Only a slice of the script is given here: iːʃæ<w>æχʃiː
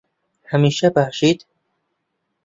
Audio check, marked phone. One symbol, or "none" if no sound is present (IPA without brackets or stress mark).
b